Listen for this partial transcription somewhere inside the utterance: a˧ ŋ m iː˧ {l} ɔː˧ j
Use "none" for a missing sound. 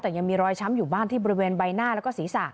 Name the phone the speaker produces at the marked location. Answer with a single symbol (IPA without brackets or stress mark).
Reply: ɾ